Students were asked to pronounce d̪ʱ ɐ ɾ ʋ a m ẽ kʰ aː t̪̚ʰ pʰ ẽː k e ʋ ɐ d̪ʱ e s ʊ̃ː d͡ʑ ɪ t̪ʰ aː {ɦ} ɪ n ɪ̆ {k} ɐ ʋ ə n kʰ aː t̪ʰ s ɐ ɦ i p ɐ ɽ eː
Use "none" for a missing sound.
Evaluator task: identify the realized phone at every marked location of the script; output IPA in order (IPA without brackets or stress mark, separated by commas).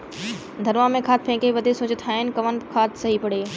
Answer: ɦ, k